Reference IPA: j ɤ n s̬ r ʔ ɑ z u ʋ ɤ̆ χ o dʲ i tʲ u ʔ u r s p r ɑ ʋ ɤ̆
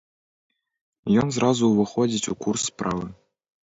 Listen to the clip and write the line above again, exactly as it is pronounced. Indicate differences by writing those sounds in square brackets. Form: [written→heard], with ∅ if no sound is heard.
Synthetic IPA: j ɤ n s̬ r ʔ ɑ z u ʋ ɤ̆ χ o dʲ i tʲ u [ʔ→k] u r s p r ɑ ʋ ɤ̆